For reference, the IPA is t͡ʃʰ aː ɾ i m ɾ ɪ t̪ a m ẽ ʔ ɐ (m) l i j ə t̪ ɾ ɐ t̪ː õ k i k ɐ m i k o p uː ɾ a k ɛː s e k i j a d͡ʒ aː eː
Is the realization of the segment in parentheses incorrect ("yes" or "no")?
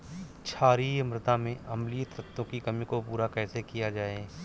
no